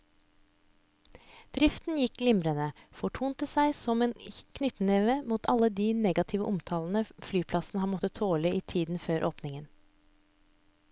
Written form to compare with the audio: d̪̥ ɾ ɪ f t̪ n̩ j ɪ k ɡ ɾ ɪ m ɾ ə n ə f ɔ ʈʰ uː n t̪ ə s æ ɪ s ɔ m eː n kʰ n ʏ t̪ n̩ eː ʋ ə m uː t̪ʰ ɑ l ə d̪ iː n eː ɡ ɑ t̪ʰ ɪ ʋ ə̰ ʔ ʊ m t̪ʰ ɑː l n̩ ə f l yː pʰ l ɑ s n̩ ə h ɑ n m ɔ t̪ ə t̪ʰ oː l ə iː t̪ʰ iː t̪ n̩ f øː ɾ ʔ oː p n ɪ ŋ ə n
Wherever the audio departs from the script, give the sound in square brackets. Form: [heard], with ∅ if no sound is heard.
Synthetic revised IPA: d̪̥ ɾ ɪ f t̪ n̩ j ɪ k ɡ [l] ɪ m ɾ ə n ə f ɔ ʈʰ uː n t̪ ə s æ ɪ s ɔ m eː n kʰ n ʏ t̪ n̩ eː ʋ ə m uː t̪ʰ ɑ l ə d̪ iː n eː ɡ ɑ t̪ʰ ɪ ʋ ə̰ ʔ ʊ m t̪ʰ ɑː l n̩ ə f l yː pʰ l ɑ s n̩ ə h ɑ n m ɔ t̪ ə t̪ʰ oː l ə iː t̪ʰ iː [d̪] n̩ f øː ɾ ʔ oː p n ɪ ŋ ə n

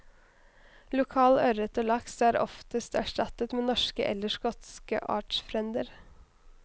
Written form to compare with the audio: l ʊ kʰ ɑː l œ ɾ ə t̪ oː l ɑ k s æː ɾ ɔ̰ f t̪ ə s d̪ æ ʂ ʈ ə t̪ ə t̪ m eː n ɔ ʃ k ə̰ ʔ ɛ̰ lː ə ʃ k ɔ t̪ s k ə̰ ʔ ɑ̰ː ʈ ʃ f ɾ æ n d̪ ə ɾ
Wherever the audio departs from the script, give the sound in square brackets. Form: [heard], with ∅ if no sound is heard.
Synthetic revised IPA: l ʊ kʰ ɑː l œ ɾ ə t̪ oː l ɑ k s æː ɾ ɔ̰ f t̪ ə s [t̪] æ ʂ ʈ [ɑ] t̪ ə t̪ m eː n ɔ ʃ k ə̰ ʔ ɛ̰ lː ə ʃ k ɔ t̪ s k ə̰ ʔ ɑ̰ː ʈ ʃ f ɾ [ɛ] n d̪ ə ɾ

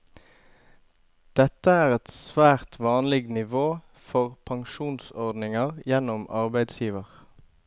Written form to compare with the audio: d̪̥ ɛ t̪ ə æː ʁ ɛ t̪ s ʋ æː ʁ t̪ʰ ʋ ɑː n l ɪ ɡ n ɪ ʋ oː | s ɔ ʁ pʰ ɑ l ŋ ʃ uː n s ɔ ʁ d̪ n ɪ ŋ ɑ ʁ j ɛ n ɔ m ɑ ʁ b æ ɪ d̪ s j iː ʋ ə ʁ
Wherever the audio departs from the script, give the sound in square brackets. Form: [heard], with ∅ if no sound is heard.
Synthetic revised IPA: d̪̥ ɛ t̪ ə æː ʁ ɛ t̪ s ʋ æː ʁ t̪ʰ ʋ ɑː n l ɪ ɡ n ɪ ʋ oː | [f] ɔ ʁ pʰ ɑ [∅] ŋ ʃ uː n s ɔ ʁ d̪ n ɪ ŋ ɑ ʁ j ɛ n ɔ m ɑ ʁ b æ ɪ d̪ s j iː ʋ ə ʁ

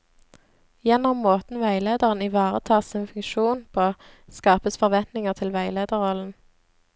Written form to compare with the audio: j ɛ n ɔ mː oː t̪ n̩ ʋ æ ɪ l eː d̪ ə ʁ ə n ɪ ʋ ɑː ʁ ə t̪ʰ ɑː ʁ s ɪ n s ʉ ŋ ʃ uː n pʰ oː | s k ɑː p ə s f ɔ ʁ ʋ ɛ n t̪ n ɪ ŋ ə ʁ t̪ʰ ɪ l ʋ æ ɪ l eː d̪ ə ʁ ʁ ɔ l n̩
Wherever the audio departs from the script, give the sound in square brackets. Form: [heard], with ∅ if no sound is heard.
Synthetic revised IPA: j ɛ n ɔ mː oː t̪ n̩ ʋ æ ɪ l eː d̪ ə ʁ ə n ɪ ʋ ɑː ʁ ə t̪ʰ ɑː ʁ s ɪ n [f] ʉ ŋ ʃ uː n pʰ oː | s k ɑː p ə s f ɔ ʁ ʋ ɛ n t̪ n ɪ ŋ ə ʁ t̪ʰ ɪ l ʋ æ ɪ l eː d̪ ə ʁ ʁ ɔ l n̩

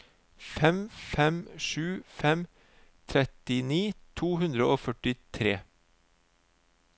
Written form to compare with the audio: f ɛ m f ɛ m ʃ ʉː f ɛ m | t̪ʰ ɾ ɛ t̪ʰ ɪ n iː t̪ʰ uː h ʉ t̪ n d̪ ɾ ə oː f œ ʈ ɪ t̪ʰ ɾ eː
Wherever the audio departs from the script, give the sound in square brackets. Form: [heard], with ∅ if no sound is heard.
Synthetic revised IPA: f ɛ m f ɛ m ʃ ʉː f ɛ m | t̪ʰ ɾ ɛ [t̪] ɪ n iː t̪ʰ uː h ʉ [∅] n d̪ ɾ ə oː f œ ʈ ɪ t̪ʰ ɾ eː

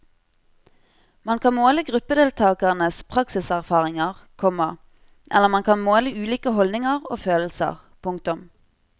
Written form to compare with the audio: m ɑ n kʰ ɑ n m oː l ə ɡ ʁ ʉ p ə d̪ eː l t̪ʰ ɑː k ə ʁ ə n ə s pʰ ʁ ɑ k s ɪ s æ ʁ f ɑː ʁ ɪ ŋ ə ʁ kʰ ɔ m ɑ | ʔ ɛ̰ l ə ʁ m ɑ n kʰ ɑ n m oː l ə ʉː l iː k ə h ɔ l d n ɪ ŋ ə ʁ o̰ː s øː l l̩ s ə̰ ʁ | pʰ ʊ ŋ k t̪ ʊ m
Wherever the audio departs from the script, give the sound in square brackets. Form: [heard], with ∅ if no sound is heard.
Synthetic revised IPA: m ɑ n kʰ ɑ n m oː l ə ɡ ʁ ʉ p ə d̪ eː l t̪ʰ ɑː k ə ʁ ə n ə s pʰ ʁ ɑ k s ɪ s æ ʁ f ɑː ʁ ɪ ŋ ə ʁ kʰ ɔ m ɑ | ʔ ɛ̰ l ə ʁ m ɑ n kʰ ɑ n m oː l ə ʉː l iː k ə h ɔ l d n ɪ ŋ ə ʁ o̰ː [f] øː l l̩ s ə̰ ʁ | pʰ ʊ ŋ k t̪ ʊ m

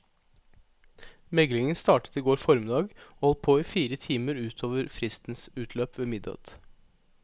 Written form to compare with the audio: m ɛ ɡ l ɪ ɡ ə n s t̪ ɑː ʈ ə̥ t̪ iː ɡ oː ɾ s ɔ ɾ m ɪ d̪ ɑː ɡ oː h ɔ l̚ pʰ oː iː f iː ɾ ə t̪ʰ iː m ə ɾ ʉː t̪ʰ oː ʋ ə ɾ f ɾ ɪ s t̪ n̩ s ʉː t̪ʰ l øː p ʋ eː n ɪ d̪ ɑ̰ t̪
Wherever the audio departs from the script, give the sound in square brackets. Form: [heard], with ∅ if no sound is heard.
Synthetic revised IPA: m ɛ ɡ l ɪ [ŋ] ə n s t̪ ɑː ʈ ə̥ t̪ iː ɡ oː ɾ [f] ɔ ɾ m ɪ d̪ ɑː ɡ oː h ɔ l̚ pʰ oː iː f iː ɾ ə t̪ʰ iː m ə ɾ ʉː t̪ʰ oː ʋ ə ɾ f ɾ ɪ s t̪ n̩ s ʉː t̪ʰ l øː p ʋ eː [m] ɪ d̪ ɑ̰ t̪

